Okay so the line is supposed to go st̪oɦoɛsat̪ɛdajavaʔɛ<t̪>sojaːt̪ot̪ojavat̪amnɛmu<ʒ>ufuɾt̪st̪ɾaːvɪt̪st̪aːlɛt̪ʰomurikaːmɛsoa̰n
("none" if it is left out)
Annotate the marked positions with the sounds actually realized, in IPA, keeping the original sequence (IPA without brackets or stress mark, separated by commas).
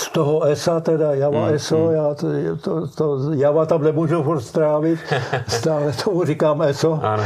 none, ʒ